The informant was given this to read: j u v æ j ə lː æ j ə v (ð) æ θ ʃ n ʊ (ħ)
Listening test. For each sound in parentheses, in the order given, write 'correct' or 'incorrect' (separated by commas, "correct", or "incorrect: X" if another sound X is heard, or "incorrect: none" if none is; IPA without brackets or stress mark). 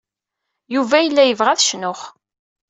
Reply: incorrect: ʁ, incorrect: χ